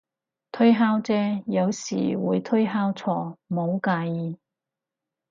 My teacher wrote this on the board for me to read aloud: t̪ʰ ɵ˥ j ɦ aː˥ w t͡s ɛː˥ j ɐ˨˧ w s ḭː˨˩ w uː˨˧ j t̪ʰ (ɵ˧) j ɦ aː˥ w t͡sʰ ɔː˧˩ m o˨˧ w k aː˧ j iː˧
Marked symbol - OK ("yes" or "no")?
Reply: no